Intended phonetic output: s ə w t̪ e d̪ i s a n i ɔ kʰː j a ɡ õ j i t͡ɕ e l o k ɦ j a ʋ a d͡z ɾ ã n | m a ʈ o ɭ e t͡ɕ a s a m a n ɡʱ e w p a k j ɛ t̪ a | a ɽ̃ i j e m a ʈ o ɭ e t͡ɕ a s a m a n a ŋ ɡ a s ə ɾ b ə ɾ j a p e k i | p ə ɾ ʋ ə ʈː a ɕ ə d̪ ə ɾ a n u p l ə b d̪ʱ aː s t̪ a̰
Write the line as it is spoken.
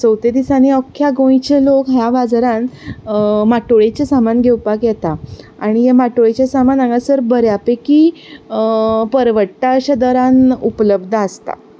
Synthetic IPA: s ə w t̪ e d̪ i s a n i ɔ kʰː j a ɡ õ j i t͡ɕ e l o k ɦ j a ʋ a d͡z ɾ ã n | m a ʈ o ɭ e t͡ɕ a s a m a n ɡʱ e w p a k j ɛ t̪ a | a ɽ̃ i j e m a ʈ o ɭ e t͡ɕ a s a m a n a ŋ ɡ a s ə ɾ b ə ɾ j a p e k i | p ə ɾ ʋ ə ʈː a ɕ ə d̪ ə ɾ a n u p l ə b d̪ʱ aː s t̪ a̰